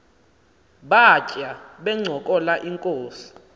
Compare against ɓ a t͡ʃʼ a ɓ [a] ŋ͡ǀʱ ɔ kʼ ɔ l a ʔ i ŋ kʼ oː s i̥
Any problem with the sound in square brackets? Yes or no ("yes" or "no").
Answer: yes